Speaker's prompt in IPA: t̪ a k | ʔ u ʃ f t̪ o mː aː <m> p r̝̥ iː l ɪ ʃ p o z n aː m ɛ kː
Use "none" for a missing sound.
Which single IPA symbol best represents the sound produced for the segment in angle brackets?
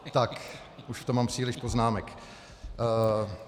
m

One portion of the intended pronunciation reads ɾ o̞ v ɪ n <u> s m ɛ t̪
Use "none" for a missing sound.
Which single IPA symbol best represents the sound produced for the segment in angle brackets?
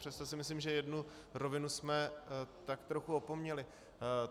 u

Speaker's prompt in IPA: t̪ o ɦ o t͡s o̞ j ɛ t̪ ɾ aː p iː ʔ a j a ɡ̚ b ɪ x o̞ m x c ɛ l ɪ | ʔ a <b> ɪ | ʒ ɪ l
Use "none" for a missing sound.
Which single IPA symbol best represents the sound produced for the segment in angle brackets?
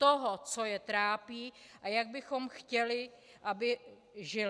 b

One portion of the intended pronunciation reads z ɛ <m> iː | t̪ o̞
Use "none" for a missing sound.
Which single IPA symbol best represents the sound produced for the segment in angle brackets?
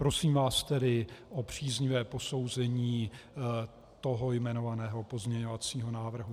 ɲ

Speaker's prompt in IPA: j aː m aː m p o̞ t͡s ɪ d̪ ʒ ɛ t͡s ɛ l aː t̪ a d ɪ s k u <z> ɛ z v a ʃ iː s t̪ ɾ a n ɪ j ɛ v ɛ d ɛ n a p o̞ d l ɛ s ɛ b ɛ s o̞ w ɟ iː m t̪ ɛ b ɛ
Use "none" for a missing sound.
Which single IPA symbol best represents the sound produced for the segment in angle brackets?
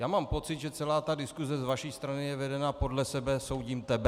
z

